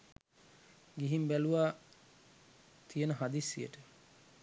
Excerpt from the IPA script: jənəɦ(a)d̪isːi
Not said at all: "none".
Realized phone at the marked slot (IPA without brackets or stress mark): a